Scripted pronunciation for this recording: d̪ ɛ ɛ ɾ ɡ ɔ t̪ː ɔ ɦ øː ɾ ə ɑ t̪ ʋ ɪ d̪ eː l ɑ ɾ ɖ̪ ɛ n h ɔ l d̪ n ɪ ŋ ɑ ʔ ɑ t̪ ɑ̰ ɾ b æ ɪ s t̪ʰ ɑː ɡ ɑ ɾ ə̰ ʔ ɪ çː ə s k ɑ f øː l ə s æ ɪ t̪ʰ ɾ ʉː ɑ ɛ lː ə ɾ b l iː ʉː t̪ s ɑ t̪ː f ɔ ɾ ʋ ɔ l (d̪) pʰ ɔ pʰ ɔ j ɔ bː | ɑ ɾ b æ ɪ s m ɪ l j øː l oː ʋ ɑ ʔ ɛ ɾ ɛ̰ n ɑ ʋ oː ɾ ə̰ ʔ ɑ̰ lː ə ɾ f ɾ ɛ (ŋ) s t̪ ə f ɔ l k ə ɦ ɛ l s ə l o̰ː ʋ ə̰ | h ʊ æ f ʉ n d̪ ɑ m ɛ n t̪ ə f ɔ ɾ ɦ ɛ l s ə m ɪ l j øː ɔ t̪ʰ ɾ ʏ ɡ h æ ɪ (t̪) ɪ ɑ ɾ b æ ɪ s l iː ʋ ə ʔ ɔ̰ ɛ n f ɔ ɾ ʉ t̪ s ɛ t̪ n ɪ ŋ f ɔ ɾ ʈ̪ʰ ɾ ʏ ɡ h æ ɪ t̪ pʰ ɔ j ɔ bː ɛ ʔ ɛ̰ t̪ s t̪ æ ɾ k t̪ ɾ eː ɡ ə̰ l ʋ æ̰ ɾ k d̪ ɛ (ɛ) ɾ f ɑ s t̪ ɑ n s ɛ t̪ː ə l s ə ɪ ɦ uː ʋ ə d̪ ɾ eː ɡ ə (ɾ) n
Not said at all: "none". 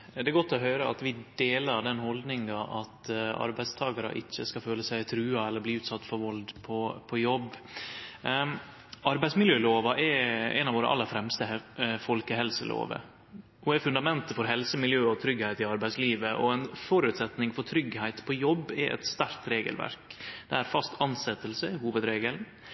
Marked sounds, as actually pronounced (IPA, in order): d̪, m, t̪, æ, l

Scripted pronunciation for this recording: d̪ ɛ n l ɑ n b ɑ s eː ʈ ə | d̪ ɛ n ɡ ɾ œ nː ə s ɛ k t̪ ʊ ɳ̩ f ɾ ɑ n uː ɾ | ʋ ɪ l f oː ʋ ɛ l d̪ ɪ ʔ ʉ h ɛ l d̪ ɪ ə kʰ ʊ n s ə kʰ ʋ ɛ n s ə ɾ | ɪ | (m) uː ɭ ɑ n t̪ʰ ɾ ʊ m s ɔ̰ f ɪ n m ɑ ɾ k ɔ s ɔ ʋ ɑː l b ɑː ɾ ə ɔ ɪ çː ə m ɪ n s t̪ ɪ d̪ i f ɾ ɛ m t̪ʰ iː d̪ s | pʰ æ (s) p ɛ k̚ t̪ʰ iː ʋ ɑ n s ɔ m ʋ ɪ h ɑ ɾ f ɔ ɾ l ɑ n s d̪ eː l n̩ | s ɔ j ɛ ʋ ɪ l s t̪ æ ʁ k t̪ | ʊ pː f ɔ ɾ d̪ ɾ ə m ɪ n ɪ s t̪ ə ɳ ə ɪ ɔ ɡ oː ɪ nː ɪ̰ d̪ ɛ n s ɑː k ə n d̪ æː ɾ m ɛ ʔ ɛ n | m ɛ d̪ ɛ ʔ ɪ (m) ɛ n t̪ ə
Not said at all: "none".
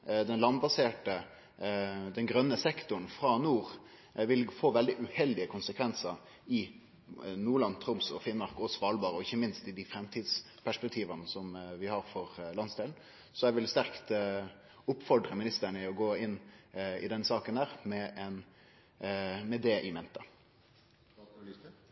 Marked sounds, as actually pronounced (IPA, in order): n, ʂ, m

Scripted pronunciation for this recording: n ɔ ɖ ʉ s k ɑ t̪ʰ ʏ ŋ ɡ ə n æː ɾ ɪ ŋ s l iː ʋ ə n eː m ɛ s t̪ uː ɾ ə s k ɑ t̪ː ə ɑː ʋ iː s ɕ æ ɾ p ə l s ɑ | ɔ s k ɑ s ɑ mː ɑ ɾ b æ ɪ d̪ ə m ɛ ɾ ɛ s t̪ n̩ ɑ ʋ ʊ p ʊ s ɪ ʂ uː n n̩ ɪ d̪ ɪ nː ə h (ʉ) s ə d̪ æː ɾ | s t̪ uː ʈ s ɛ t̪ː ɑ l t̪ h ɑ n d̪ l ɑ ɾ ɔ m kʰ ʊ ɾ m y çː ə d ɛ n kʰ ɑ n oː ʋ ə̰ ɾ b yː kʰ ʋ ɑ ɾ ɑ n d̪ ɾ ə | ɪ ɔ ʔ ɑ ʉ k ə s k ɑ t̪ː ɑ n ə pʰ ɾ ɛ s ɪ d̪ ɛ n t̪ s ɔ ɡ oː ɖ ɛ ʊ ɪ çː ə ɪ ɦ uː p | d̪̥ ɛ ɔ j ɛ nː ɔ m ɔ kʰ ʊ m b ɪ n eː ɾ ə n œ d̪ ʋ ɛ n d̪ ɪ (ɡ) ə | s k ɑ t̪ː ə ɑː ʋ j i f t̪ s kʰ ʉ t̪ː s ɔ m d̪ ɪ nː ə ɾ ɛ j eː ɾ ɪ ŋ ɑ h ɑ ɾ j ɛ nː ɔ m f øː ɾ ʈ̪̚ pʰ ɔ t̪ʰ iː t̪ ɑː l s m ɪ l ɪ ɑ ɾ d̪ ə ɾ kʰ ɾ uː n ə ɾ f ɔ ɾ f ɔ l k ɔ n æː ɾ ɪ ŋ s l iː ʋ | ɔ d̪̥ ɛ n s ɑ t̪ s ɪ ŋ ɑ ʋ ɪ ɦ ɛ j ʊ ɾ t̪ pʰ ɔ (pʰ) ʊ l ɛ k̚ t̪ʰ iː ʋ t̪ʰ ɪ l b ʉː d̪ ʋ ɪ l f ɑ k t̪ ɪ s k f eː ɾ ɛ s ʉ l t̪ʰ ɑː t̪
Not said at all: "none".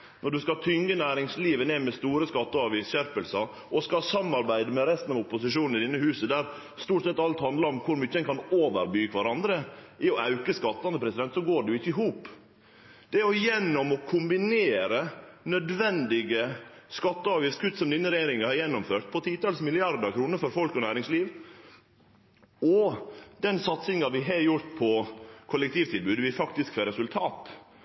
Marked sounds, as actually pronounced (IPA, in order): ʉː, ɡ, kʰ

